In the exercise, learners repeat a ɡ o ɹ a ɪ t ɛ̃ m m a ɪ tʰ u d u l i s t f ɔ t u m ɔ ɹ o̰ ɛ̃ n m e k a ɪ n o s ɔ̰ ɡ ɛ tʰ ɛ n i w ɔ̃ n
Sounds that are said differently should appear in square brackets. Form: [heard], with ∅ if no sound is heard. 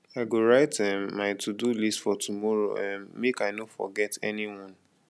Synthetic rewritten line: a ɡ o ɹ a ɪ t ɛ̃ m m a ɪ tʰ u d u l i s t f ɔ t u m ɔ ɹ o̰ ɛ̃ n m e k a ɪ n o [f] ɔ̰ ɡ ɛ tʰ ɛ n i w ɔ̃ n